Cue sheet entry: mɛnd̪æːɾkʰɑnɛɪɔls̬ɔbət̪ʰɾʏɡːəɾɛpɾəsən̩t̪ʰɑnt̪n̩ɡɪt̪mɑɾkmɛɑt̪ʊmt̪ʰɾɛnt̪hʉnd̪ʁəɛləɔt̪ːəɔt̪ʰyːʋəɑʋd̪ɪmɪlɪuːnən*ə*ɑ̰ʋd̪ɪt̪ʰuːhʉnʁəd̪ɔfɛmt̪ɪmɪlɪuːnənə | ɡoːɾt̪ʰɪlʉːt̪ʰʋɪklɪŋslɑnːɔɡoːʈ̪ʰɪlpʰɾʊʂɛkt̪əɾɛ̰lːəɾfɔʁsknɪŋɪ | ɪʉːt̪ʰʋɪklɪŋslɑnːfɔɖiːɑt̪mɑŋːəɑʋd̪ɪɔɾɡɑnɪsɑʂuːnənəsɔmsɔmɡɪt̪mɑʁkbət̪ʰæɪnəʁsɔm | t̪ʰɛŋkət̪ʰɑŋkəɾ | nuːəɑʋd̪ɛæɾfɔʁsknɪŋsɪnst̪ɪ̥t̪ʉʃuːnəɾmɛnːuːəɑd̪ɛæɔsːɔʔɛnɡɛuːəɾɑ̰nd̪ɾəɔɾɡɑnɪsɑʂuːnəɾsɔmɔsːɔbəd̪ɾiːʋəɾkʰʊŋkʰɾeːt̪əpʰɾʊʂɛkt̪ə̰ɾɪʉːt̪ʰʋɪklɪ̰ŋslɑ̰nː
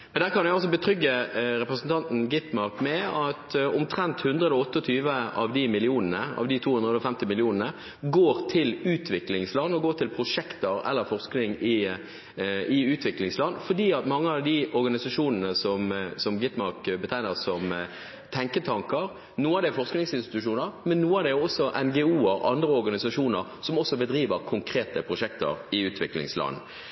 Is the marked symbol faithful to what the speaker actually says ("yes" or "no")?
yes